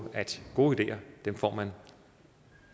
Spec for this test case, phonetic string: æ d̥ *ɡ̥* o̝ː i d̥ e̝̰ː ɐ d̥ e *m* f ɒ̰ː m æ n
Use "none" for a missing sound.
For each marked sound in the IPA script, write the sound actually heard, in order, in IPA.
ɡ̥, m

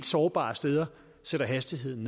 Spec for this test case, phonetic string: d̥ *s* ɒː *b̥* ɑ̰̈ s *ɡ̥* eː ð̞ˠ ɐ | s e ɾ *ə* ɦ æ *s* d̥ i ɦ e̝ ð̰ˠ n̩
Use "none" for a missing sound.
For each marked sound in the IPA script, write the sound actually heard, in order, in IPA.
s, b̥, d̥, ɐ, s

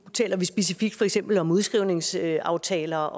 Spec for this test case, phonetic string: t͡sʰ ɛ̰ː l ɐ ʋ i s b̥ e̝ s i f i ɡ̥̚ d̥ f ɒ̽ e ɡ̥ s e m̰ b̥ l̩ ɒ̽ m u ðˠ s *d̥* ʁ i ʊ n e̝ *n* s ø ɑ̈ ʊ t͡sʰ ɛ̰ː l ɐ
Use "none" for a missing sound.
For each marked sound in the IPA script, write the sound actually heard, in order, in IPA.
ɡ̥, ŋ

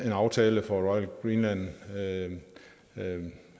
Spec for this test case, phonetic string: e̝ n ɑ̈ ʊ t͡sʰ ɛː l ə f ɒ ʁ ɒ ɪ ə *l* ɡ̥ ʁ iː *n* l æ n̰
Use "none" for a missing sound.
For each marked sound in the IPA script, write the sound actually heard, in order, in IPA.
l, n

